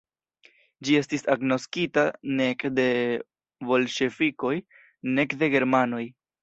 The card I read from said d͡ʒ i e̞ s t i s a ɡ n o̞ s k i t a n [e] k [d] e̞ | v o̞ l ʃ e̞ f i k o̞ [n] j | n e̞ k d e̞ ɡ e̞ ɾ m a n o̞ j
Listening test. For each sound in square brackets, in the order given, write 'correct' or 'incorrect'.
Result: correct, correct, incorrect: none

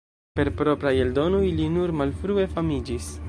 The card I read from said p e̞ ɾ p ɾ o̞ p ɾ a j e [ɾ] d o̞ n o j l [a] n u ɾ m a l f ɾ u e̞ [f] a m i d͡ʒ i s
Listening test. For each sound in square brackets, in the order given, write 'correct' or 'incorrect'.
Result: incorrect: l, incorrect: i, correct

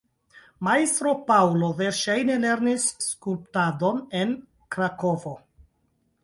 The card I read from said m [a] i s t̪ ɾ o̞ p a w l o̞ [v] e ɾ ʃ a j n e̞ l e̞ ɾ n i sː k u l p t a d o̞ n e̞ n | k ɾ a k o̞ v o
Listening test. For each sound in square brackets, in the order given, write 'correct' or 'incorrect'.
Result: correct, correct

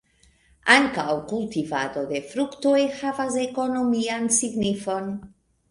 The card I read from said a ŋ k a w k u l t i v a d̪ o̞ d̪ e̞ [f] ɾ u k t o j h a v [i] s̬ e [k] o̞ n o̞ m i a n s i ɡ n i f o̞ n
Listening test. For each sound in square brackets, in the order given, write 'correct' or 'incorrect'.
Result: correct, incorrect: a, correct

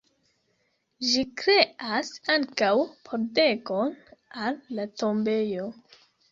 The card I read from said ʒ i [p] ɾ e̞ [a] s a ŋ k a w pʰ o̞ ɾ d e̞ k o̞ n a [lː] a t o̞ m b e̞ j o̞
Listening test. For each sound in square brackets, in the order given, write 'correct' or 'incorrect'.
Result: incorrect: k, correct, correct

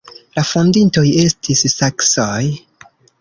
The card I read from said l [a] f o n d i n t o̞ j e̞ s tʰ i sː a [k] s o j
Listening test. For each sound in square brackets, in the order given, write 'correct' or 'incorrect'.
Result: correct, correct

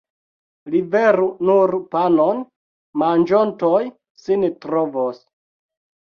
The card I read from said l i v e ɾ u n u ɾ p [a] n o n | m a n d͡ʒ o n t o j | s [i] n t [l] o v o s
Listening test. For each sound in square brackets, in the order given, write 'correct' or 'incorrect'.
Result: correct, correct, incorrect: ɾ

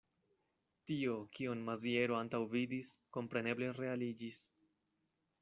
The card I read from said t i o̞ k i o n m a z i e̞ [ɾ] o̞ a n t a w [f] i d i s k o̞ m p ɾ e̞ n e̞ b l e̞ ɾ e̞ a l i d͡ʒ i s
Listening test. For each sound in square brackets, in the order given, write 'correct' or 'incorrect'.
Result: correct, incorrect: v

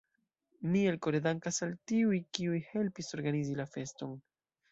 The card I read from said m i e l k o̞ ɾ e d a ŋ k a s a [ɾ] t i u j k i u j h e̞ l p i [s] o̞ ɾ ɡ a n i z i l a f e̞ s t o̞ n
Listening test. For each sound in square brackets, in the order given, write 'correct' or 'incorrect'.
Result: incorrect: l, correct

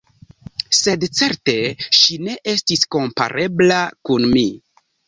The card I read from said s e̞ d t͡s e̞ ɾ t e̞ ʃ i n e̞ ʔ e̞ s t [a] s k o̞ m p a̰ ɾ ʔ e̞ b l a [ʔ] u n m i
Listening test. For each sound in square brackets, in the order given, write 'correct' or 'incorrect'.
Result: incorrect: i, incorrect: k

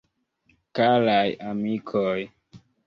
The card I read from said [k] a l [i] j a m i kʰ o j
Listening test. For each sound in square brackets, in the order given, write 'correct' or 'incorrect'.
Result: correct, incorrect: a

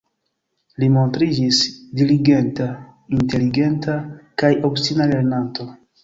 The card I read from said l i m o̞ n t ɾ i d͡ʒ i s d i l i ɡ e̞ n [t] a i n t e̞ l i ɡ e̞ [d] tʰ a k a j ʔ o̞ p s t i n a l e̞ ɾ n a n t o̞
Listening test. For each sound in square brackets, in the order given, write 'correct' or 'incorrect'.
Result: correct, incorrect: n

